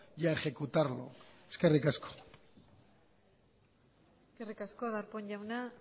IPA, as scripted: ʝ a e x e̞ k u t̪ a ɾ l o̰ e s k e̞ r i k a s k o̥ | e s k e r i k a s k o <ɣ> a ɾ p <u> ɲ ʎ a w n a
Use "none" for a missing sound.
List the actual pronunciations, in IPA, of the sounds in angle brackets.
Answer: ð, o

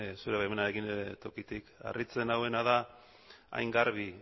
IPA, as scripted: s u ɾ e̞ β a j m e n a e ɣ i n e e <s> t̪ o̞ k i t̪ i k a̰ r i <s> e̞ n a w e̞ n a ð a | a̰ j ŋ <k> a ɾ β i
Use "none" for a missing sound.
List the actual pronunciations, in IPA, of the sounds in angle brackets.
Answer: none, t͡s, ɡ

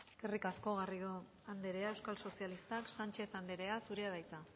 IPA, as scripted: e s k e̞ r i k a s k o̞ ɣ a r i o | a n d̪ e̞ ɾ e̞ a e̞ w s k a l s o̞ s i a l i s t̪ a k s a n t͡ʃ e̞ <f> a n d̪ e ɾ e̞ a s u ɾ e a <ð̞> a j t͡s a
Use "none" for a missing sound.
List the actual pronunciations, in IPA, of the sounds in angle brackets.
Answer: θ, ð̞

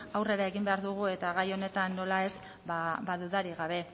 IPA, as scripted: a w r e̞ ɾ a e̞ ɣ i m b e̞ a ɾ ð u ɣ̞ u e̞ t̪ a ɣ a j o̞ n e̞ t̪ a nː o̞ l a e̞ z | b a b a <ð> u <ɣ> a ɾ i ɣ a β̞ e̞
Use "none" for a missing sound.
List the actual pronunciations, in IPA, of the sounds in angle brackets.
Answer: ð, ð

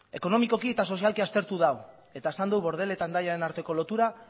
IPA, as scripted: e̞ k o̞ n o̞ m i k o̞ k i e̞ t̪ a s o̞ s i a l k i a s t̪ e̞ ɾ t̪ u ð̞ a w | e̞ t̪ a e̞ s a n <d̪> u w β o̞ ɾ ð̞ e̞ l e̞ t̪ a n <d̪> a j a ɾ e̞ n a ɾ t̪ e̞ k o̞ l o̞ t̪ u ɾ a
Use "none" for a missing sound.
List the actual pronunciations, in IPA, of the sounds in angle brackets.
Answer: d̪, d̪

